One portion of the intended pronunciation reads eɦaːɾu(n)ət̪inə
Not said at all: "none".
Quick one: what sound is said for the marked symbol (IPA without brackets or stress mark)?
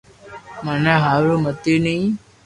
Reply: m